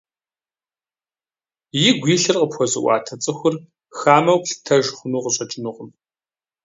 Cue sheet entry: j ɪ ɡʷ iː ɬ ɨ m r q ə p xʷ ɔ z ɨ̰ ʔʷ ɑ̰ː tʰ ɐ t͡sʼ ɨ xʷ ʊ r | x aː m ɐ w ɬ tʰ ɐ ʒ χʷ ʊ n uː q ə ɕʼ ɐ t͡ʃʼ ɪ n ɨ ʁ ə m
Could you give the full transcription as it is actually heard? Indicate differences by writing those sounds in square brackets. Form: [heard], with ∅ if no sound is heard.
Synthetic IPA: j ɪ ɡʷ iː ɬ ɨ [∅] r q ə p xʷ ɔ z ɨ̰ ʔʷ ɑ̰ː tʰ ɐ t͡sʼ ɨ xʷ ʊ r | x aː m ɐ w ɬ tʰ ɐ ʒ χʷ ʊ n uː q ə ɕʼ ɐ t͡ʃʼ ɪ n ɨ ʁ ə m